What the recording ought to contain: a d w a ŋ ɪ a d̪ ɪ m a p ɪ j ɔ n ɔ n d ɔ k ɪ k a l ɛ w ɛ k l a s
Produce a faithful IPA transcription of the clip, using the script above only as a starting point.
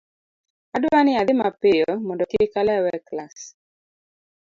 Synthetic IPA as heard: a d w a n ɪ a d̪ ɪ m a p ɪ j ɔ m ɔ n d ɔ k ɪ k a l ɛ w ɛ k l a s